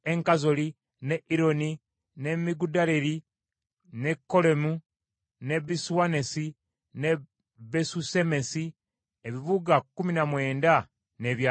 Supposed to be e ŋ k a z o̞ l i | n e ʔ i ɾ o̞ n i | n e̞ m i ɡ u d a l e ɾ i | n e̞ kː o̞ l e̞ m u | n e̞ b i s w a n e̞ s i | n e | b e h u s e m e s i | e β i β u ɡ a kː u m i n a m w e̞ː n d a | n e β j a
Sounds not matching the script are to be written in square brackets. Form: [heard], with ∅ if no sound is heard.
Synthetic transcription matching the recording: e ŋ k a z o̞ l i | n e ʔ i ɾ o̞ n i | n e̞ m i ɡ u d a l e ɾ i | n e̞ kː o̞ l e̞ m u | n e̞ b i s w a n e̞ s i | n e | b e [s] u s e m e s i | e β i β u ɡ a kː u m i n a m w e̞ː n d a | n e β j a